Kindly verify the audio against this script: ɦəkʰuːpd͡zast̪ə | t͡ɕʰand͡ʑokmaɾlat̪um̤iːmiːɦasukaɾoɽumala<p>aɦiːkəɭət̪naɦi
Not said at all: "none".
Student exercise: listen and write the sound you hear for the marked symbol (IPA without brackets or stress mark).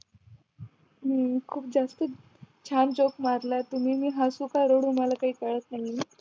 k